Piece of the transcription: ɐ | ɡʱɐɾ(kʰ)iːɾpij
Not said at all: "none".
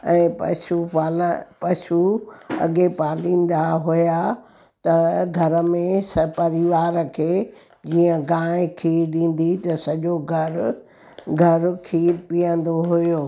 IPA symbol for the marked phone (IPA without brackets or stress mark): kʰ